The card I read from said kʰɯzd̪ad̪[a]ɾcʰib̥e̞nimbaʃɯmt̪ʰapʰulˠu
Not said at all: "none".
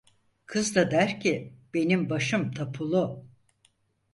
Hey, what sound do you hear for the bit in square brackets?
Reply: æ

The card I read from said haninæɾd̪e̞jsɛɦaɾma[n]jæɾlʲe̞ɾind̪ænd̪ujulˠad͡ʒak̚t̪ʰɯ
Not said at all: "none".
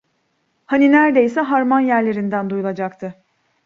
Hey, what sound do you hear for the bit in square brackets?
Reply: n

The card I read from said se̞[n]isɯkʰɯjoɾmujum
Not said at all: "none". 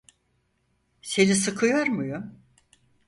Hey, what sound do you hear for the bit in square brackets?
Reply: n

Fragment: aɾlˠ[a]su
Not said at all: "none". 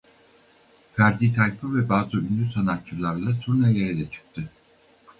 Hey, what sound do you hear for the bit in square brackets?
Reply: a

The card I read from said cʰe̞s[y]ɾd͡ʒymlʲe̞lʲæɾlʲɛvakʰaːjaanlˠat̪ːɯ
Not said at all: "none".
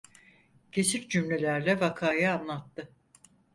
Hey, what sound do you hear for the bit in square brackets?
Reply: i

